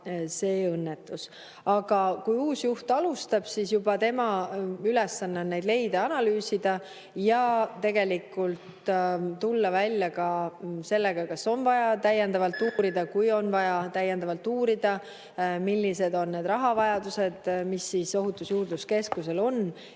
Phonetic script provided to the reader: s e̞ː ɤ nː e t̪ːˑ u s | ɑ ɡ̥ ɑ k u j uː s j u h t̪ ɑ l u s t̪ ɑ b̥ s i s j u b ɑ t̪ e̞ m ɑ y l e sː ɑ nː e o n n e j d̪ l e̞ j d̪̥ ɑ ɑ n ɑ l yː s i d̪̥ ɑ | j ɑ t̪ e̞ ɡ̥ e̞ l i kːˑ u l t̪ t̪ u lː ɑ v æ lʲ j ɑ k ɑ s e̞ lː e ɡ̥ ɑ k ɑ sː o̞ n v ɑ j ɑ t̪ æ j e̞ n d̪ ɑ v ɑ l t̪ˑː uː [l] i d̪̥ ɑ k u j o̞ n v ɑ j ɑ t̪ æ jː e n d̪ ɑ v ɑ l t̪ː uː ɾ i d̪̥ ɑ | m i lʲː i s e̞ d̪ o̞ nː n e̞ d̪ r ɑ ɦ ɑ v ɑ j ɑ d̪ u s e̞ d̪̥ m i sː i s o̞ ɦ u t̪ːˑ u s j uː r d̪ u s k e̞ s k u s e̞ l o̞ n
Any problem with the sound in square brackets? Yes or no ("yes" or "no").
yes